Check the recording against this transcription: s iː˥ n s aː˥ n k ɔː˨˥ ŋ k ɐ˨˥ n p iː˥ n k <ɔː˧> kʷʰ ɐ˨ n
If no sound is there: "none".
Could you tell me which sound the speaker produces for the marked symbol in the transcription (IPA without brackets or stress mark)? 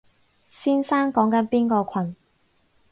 ɔː˧